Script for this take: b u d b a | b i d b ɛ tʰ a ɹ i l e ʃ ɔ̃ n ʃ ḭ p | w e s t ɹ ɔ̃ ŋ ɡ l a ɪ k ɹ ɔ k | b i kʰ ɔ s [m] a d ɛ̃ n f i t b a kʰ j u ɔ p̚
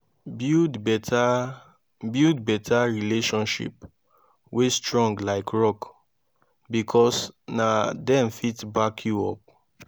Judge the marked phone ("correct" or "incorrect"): incorrect